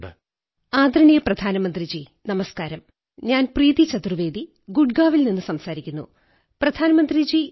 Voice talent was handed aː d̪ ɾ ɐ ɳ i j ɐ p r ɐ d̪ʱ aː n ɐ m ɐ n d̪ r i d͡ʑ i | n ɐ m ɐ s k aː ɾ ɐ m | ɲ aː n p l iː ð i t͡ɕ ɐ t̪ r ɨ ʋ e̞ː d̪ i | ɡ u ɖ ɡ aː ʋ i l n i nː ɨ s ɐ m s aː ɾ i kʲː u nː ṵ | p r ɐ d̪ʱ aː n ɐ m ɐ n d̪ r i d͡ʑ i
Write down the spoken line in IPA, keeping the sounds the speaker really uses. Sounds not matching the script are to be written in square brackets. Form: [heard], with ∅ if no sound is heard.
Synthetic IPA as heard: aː d̪ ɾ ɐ ɳ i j ɐ p r ɐ d̪ʱ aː n ɐ m ɐ n d̪ r i d͡ʑ i | n ɐ m ɐ s k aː ɾ ɐ m | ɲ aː n p [r] iː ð i t͡ɕ ɐ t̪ r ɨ ʋ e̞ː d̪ i | ɡ u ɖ ɡ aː ʋ i l n i nː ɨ s ɐ m s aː ɾ i kʲː u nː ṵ | p r ɐ d̪ʱ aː n ɐ m ɐ n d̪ r i d͡ʑ i